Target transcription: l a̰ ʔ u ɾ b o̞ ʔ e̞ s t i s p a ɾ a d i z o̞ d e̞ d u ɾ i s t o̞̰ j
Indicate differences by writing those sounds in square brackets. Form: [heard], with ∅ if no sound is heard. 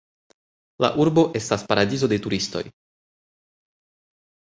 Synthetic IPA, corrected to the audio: l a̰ ʔ u ɾ b o̞ ʔ e̞ s t [a] s p a ɾ a d i z o̞ d e̞ [t] u ɾ i s t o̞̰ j